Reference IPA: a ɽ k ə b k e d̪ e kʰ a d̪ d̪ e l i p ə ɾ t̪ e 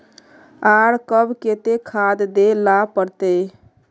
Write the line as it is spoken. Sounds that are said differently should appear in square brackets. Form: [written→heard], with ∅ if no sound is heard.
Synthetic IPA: a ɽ k ə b k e [d̪→t̪] e kʰ a d̪ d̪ e l [i→a] p ə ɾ t̪ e